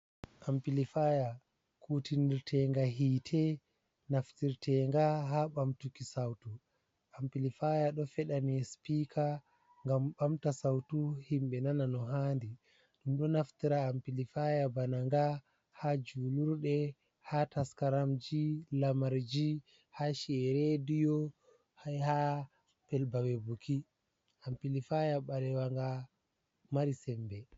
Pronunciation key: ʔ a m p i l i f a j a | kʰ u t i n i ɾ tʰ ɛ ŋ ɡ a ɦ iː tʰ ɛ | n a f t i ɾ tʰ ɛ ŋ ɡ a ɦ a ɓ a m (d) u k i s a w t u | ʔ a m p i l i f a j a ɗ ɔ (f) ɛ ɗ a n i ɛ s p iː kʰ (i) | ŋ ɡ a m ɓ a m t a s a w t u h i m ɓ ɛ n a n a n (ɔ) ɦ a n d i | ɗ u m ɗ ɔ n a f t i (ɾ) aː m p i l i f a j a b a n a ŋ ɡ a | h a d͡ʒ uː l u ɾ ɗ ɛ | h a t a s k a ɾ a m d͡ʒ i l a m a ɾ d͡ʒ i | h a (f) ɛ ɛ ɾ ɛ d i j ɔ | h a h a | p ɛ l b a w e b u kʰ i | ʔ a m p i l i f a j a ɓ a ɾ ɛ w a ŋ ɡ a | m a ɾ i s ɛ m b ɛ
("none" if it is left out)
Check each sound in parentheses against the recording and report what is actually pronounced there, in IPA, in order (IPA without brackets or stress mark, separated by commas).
t, f, a, ɔ, ɾ, ʃ